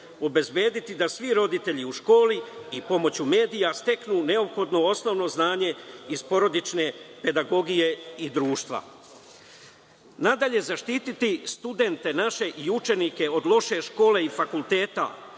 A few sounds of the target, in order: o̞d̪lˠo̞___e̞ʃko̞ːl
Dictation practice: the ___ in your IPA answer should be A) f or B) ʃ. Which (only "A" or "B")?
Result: B